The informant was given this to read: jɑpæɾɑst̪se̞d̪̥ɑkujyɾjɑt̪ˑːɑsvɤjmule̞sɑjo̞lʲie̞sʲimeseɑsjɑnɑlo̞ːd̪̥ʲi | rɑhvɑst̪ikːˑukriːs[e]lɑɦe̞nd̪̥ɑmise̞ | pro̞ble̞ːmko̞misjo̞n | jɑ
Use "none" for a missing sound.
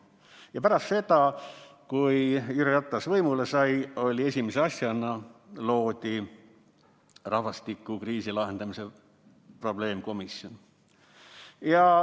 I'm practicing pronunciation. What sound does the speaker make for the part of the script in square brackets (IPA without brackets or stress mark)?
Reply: i